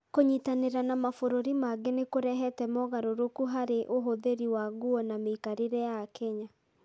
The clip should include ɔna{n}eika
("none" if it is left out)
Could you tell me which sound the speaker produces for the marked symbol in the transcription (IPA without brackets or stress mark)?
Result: m